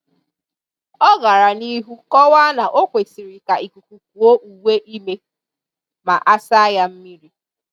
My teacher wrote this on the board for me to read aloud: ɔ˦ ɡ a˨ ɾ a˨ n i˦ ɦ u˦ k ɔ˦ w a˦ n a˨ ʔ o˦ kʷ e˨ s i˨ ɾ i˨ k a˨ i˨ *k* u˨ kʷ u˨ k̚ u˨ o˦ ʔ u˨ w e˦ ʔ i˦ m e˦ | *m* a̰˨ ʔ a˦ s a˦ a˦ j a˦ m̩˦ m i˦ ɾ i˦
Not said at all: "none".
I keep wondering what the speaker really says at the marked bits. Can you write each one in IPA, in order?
k, m

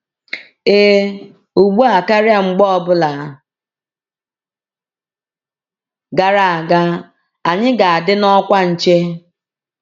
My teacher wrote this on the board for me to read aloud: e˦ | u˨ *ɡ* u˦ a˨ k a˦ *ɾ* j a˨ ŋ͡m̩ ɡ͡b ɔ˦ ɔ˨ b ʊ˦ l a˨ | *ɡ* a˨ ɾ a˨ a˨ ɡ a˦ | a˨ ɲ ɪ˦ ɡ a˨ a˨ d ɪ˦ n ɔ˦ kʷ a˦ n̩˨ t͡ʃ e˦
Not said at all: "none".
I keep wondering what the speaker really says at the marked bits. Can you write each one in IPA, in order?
ɡ͡b, ɾ, ɡ

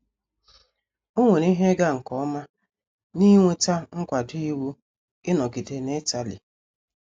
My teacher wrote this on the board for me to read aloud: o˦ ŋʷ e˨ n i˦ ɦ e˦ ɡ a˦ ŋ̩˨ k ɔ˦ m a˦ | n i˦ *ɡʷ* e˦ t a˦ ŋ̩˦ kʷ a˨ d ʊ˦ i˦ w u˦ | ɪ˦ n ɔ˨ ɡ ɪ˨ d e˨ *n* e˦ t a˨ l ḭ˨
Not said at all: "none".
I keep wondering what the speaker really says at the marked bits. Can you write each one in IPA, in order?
ŋʷ, n

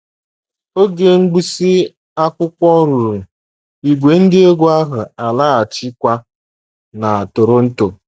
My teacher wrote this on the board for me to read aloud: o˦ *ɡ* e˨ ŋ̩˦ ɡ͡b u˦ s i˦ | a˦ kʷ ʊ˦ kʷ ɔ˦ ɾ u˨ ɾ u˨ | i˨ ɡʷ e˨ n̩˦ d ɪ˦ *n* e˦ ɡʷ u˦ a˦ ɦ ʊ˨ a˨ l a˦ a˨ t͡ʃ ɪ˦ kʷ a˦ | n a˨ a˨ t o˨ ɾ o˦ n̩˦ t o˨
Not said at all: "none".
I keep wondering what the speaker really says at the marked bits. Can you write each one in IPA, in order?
ɡ, none

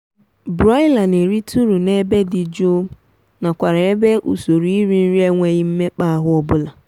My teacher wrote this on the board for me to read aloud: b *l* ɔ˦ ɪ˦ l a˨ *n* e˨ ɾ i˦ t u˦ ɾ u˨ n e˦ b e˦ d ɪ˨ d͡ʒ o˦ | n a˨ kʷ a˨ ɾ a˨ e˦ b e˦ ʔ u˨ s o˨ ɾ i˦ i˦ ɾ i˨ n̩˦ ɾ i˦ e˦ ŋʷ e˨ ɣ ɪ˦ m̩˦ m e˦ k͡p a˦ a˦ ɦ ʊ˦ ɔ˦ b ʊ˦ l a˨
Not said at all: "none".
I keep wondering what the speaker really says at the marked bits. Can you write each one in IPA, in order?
ɾ, n

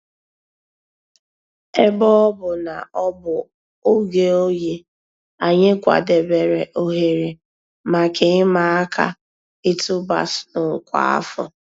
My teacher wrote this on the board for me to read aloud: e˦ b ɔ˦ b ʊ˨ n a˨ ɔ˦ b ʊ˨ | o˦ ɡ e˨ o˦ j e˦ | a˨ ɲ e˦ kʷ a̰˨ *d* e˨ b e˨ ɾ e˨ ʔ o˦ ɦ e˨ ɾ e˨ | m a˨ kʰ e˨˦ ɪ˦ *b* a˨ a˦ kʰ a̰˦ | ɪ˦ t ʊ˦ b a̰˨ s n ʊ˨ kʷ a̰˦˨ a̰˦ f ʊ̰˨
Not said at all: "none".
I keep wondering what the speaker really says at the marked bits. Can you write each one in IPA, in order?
d, m

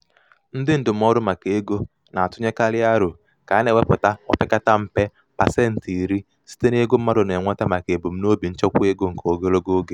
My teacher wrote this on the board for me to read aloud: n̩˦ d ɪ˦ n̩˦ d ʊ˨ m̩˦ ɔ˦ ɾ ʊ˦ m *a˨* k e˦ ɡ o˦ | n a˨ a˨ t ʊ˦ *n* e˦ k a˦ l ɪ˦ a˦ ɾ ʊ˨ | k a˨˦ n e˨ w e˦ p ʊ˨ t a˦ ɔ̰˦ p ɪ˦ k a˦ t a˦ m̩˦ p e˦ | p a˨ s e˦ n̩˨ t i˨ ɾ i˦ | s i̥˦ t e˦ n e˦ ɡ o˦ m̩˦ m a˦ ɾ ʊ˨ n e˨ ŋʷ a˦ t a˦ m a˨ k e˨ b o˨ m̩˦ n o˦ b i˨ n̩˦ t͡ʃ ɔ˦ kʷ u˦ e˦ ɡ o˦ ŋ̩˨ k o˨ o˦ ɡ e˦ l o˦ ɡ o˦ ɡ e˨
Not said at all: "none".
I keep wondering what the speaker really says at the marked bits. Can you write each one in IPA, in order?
a˨, ɲ

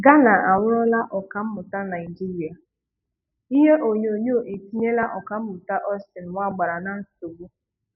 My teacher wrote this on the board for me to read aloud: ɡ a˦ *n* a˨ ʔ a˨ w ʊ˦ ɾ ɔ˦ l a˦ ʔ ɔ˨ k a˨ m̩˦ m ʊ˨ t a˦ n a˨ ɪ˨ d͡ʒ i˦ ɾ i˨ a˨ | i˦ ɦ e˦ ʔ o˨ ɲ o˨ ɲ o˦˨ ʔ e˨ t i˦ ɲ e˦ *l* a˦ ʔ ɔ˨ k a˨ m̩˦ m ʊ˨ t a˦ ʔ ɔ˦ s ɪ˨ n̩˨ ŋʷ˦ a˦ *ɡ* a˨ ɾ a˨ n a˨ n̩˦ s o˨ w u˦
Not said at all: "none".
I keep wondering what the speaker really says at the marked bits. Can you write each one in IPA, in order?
n, l, ɡ͡b

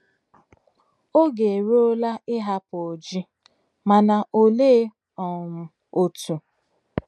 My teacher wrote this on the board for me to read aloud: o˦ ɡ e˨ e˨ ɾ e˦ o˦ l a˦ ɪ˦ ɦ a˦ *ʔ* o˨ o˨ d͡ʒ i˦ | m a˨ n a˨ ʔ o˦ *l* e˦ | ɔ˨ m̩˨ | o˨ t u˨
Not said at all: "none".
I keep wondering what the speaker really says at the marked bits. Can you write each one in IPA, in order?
p, l

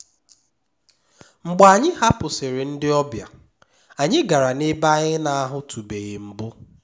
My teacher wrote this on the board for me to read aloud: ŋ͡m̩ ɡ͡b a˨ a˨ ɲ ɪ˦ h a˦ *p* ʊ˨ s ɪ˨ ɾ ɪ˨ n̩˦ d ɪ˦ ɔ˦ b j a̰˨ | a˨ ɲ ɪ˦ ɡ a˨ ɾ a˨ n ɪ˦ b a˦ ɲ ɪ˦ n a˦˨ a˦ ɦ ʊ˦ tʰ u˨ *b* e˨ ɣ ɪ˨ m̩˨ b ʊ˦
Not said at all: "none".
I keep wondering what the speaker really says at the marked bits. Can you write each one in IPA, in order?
p, b

